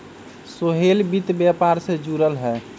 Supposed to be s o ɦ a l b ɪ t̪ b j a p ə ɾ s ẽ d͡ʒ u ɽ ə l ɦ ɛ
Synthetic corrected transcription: s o ɦ e l b i t̪ b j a p a ɾ s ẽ d͡ʒ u ɾ ə l ɦ ɛ